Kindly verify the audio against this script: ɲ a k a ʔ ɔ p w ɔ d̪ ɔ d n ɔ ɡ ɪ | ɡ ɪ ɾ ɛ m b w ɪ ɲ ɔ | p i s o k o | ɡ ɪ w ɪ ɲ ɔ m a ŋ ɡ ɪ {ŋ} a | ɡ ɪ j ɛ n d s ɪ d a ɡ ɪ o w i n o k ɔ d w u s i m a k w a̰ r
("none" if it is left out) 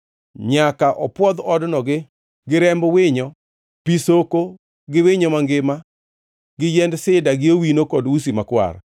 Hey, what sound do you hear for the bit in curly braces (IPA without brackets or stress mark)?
m